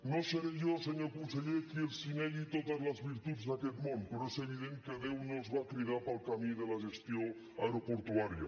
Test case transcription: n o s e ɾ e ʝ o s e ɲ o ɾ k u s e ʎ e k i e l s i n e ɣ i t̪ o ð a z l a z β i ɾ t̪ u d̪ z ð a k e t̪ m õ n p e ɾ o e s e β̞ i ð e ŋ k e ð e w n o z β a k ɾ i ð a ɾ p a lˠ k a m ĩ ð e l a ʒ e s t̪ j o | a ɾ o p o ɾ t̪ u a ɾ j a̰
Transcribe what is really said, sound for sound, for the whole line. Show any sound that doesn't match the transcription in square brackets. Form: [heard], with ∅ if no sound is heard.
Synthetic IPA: n o s e ɾ e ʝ o s e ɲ o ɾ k u s e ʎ e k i e l s i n e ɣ i t̪ o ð a z l a z β i ɾ t̪ u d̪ z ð a k e t̪ m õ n p e ɾ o e s e β̞ i ð e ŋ k e ð e w n o z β a k ɾ i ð a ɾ p a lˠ k a m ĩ ð e l a ʒ e s t̪ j o | a ɾ o p o ɾ t̪ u a ɾ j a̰